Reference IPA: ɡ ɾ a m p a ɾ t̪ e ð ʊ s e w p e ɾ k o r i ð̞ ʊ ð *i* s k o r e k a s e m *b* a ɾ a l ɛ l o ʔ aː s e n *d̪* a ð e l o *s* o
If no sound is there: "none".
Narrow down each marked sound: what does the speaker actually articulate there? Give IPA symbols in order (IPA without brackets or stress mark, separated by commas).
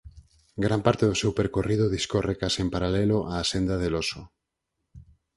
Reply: i, p, d̪, s